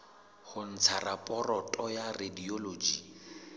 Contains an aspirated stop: yes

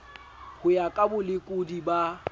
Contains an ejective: yes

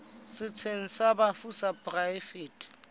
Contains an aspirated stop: yes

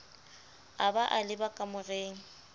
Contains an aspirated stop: no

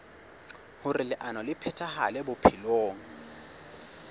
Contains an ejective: no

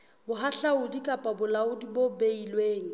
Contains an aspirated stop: no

